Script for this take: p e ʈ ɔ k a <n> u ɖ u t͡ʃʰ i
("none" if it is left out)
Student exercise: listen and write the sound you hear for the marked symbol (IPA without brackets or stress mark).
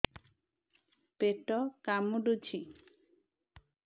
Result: m